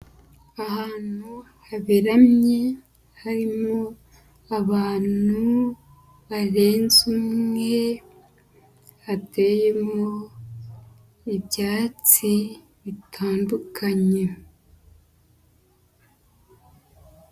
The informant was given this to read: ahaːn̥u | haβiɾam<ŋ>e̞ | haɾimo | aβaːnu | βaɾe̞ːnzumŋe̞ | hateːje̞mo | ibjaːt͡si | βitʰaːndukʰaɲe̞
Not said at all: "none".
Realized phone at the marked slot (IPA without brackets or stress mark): ɲ